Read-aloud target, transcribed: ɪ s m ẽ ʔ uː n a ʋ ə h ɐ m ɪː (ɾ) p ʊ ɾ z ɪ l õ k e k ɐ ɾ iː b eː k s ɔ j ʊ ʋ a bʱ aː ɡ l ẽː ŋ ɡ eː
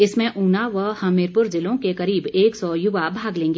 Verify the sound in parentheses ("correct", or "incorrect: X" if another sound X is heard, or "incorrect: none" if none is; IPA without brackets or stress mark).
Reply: correct